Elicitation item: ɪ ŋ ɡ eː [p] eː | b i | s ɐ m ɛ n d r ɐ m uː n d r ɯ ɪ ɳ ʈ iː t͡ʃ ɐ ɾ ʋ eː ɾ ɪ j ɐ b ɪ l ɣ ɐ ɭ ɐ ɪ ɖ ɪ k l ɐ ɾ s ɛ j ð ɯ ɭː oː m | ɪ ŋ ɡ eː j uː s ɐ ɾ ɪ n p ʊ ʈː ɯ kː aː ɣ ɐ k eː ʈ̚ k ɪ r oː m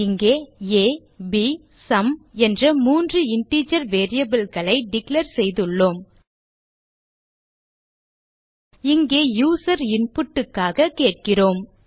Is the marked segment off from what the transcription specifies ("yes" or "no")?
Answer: yes